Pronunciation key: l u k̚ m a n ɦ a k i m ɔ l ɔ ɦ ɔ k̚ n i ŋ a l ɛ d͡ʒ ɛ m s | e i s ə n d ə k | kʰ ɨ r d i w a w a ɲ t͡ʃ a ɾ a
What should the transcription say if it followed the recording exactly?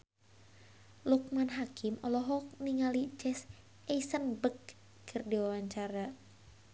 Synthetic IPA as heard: l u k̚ m a n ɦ a k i m ɔ l ɔ ɦ ɔ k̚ n i ŋ a l i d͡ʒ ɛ s | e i s ə n b ə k | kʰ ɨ r d i w a w a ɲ t͡ʃ a ɾ a